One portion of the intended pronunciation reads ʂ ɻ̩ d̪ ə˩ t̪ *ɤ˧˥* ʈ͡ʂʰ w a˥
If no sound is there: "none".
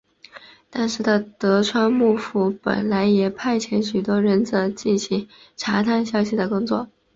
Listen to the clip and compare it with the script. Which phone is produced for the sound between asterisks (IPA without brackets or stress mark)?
ɤ˧˥